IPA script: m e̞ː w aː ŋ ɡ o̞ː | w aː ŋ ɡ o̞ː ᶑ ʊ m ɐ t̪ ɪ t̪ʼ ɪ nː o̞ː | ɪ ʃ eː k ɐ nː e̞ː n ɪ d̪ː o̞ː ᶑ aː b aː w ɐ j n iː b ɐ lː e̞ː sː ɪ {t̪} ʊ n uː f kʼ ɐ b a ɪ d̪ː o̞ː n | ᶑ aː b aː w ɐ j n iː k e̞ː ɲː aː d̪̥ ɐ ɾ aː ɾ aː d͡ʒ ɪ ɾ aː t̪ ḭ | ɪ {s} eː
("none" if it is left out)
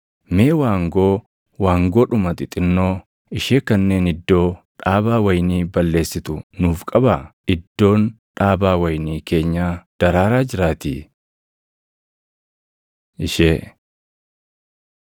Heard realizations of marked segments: t̪, ʃ

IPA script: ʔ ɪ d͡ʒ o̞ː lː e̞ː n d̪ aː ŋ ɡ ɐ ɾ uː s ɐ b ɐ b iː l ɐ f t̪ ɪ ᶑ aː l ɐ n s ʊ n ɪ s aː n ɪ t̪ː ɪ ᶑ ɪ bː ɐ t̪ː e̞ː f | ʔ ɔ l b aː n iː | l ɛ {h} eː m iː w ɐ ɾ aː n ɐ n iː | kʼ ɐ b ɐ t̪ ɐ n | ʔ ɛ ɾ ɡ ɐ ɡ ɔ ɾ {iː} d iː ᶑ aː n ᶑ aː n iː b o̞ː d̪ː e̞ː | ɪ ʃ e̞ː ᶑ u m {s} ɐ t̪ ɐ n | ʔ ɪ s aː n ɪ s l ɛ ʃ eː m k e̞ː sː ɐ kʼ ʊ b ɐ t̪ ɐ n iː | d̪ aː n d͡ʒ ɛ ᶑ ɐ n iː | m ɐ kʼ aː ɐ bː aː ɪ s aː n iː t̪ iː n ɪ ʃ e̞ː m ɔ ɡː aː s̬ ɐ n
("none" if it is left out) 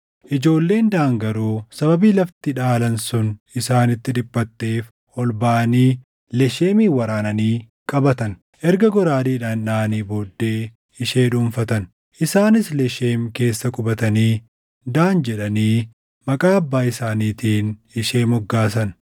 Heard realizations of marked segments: ʃ, aː, f

